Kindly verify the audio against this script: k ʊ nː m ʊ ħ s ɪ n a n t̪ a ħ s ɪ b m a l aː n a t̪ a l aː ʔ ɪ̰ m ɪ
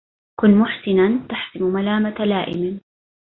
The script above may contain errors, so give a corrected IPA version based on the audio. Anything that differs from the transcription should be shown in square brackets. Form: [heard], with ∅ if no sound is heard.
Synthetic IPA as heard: k ʊ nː m ʊ ħ s ɪ n a n t̪ a ħ s ɪ [m] m a l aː [m] a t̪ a l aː ʔ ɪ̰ m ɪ